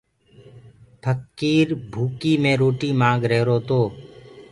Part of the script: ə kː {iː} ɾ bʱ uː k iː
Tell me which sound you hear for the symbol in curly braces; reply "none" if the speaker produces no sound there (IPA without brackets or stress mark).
iː